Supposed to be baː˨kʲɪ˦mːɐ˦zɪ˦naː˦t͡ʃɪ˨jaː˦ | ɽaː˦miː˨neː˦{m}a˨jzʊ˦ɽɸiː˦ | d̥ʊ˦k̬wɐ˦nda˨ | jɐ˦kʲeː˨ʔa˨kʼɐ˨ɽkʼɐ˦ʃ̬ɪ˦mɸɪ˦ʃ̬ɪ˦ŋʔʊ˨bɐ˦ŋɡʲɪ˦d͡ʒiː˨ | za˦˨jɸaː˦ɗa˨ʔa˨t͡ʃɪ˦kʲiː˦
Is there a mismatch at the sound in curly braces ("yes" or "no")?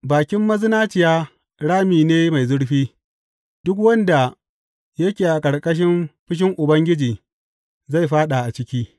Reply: no